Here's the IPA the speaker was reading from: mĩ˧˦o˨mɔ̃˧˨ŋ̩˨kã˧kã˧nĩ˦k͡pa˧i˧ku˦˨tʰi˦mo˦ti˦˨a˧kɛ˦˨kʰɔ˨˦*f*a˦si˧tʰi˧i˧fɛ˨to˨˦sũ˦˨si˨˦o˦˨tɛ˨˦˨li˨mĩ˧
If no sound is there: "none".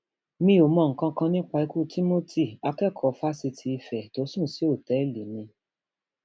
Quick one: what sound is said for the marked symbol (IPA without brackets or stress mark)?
f